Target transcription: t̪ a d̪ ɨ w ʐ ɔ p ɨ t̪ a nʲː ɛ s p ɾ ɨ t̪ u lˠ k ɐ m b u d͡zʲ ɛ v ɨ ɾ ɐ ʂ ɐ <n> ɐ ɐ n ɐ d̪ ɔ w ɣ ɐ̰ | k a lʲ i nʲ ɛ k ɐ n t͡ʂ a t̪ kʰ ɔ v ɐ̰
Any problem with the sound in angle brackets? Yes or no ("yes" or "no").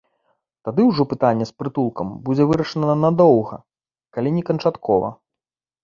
no